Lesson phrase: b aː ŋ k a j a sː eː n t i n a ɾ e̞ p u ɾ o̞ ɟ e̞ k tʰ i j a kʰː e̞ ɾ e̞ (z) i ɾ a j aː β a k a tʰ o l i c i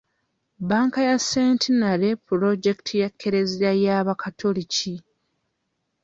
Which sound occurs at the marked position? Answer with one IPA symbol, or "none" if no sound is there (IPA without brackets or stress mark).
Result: z